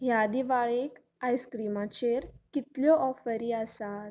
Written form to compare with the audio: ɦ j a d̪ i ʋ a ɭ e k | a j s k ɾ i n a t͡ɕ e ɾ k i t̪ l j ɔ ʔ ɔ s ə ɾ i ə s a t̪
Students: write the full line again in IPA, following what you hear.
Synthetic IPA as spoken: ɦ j a d̪ i ʋ a ɭ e k | a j s k ɾ i m a t͡ɕ e ɾ k i t̪ l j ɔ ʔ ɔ f ə ɾ i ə s a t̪

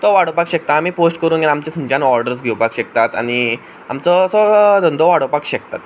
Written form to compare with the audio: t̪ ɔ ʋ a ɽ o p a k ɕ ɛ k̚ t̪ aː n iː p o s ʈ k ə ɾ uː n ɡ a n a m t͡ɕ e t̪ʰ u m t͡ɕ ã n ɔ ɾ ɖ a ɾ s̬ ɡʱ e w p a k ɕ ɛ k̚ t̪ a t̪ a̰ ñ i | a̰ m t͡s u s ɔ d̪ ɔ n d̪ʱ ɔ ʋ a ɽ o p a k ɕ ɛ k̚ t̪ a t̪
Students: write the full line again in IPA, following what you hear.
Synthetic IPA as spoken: t̪ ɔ ʋ a ɽ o p a k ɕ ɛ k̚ t̪ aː m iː p o s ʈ k ə ɾ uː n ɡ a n a m t͡ɕ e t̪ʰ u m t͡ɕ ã n ɔ ɾ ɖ ə ɾ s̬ ɡʱ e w p a k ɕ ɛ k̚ t̪ a t̪ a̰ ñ i | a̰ m t͡s ɔ s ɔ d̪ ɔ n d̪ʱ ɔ ʋ a ɽ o p a k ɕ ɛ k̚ t̪ a t̪

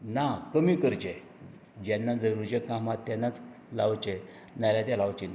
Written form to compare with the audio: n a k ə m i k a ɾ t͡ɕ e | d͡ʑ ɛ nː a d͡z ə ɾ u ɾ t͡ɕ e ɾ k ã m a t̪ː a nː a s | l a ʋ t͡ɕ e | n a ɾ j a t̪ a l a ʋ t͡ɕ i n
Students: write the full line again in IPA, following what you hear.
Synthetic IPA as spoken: n a k ə m i k ə ɾ t͡ɕ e | d͡ʑ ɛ nː a d͡z ə ɾ u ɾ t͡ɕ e k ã m a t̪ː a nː a t͡s | l a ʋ t͡ɕ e | n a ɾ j a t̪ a l a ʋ t͡ɕ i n

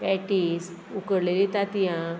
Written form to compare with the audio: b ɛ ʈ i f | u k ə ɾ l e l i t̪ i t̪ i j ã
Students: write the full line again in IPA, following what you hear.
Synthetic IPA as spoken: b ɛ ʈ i s | u k ə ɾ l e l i t̪ a t̪ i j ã

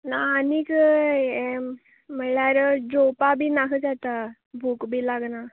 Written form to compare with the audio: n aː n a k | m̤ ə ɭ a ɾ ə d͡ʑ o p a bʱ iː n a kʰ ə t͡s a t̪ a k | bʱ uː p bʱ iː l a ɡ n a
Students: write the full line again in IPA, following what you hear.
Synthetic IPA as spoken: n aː n i k | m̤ ə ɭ a ɾ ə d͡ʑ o p a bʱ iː n a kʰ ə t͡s a t̪ a | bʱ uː k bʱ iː l a ɡ n a

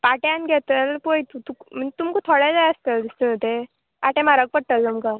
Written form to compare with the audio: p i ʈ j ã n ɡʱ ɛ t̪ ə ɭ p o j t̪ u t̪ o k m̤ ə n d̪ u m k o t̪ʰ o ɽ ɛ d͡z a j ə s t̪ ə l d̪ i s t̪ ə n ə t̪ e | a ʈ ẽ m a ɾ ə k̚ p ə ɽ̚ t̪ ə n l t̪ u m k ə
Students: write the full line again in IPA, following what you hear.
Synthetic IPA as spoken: p a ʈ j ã n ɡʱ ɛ t̪ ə l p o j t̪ u t̪ u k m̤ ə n t̪ u m k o t̪ʰ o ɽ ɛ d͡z a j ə s t̪ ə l d̪ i s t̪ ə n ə t̪ e | a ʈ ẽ m a ɾ ə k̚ p ə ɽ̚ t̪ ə l t̪ u m k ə

